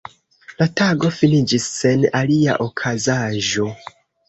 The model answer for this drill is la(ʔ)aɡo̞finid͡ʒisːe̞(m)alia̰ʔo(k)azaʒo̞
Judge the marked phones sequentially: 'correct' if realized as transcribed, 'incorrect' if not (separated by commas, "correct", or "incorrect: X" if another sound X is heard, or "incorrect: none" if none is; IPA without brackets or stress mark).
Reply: incorrect: t, incorrect: n, incorrect: kʰ